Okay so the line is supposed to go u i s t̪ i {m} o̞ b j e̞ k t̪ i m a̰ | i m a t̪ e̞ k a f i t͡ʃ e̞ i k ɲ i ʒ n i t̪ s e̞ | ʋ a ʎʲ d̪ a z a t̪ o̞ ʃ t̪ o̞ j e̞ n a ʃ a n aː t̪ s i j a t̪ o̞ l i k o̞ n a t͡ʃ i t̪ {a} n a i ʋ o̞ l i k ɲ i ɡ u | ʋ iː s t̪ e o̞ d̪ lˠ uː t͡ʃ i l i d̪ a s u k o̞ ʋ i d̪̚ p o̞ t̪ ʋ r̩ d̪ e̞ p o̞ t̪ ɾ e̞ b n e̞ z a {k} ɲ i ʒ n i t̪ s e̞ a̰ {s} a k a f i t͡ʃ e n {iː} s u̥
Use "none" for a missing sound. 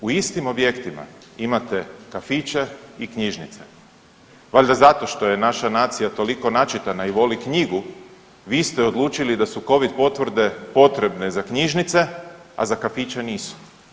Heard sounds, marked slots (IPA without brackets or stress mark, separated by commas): m, a, k, z, iː